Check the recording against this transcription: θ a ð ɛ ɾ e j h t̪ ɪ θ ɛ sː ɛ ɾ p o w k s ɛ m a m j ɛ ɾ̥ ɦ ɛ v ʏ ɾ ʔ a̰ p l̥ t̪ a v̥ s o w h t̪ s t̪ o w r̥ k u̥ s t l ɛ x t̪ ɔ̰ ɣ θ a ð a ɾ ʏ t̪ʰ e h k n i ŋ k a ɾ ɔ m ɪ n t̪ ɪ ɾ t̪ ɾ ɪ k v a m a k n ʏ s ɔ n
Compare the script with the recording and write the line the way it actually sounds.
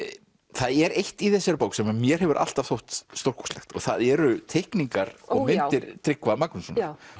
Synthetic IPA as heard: θ a ð ɛ ɾ e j h t̪ i θ ɛ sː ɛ ɾ p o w k s ɛ m a m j ɛ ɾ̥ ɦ ɛ v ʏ ɾ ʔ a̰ l̥ t̪ a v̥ θ o w h t̪ s t̪ o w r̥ k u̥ s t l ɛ x t̪ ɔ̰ ɣ θ a ð ɛ ɾ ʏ t̪ʰ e h k n i ŋ k a ɾ ɔ m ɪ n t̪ ɪ ɾ t̪ ɾ ɪ k v a m a k n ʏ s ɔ n

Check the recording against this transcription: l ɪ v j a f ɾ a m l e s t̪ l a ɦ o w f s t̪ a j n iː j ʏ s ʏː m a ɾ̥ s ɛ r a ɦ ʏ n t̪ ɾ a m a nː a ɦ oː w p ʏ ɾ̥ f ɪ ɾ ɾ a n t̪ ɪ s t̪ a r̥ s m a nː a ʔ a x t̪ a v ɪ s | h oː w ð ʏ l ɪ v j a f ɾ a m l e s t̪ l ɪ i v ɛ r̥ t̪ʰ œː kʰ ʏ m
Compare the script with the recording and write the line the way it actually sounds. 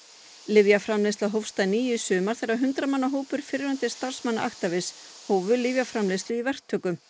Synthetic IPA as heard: l ɪ v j a f ɾ a m l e s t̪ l a ɦ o w f s t̪ a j n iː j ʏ s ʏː m a ɾ̥ θ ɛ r a ɦ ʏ n t̪ ɾ a m a nː a ɦ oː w p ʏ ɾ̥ f ɪ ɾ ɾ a n t̪ ɪ s t̪ a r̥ s m a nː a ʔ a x t̪ a v ɪ s | h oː w v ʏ l ɪ v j a f ɾ a m l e s t̪ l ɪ i v ɛ r̥ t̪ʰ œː k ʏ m

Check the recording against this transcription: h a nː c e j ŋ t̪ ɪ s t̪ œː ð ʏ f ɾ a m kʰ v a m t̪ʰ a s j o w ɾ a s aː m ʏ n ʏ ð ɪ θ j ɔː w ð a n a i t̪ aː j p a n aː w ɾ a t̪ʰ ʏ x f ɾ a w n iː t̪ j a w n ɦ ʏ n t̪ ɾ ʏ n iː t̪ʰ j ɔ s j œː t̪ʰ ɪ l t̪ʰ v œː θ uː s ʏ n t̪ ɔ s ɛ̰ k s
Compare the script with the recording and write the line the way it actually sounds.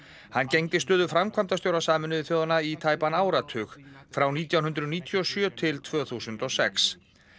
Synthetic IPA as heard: h a nː c e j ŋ t̪ ɪ s t̪ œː ð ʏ f ɾ a m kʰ v a m t̪ a s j o w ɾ a s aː m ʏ n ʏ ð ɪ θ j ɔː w ð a n a i t̪ʰ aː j p a n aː w ɾ a t̪ʰ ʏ x f ɾ a w n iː t̪ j a w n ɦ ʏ n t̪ ɾ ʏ n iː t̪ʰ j ɔ s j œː t̪ʰ ɪ l t̪ʰ v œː θ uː s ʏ n t̪ ɔ s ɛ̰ k s

